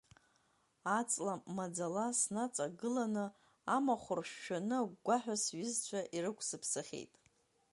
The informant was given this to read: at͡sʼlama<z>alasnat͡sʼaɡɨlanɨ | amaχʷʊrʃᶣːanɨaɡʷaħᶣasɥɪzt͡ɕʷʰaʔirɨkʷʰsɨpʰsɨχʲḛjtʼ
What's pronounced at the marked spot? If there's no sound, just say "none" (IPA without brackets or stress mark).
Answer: d͡z